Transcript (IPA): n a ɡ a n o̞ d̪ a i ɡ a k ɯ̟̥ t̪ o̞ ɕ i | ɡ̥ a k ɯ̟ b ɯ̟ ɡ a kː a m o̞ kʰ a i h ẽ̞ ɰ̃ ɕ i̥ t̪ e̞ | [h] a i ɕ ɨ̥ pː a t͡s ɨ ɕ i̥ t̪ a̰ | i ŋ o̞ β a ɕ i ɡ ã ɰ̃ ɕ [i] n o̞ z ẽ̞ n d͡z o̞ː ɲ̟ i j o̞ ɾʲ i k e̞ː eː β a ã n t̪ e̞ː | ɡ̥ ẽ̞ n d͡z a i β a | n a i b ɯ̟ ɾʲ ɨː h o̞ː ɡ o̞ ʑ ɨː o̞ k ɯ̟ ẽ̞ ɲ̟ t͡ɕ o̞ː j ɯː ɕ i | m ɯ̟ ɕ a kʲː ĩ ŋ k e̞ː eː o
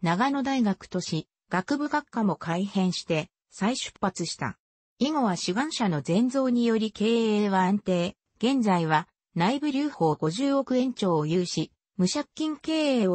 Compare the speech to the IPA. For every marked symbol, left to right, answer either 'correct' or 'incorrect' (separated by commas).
incorrect, incorrect